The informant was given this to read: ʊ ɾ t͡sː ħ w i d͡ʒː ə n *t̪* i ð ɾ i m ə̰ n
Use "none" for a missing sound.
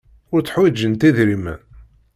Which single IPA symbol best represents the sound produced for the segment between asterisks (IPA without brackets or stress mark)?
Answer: t̪